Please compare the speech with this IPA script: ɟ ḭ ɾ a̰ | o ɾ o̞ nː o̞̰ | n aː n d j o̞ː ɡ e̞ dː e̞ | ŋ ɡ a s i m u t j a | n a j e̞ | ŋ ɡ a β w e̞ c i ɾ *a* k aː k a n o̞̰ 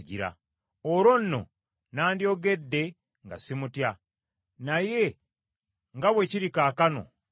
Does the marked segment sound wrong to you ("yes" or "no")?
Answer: yes